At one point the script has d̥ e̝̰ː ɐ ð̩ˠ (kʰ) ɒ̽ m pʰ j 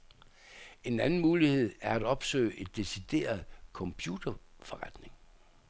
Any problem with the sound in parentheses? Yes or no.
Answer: no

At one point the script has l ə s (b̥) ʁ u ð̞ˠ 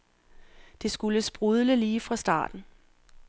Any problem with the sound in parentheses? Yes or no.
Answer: no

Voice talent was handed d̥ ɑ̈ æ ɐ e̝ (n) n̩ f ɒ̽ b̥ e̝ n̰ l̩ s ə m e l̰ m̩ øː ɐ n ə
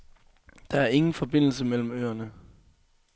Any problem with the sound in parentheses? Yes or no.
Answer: yes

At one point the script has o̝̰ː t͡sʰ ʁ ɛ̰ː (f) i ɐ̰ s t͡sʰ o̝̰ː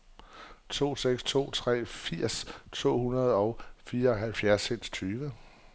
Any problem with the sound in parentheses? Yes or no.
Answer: no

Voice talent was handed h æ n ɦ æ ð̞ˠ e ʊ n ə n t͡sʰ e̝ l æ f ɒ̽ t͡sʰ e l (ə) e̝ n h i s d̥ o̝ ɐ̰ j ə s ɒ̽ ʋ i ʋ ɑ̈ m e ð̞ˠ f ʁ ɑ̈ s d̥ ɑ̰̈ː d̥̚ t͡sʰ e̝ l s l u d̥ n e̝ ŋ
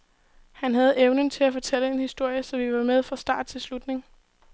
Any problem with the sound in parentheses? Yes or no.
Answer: no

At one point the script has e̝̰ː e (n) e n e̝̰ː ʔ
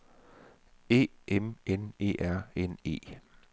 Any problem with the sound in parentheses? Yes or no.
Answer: yes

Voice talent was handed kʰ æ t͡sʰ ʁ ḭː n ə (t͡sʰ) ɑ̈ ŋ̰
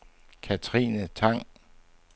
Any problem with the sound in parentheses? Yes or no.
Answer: no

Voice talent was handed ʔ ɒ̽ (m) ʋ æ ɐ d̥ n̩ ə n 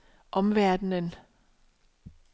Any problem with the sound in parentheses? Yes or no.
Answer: no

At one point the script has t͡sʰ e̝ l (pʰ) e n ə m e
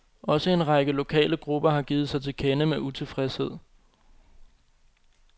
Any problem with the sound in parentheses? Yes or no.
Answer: yes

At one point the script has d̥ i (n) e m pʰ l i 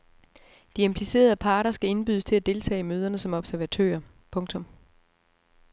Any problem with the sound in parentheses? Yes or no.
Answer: yes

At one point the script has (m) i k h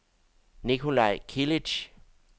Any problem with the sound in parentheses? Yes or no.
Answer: yes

